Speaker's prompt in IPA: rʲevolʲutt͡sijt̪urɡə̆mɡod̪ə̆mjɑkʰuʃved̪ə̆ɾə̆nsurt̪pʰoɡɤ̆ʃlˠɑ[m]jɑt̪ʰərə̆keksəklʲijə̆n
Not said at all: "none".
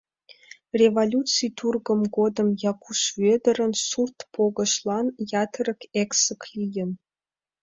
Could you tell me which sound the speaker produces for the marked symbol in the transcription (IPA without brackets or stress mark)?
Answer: n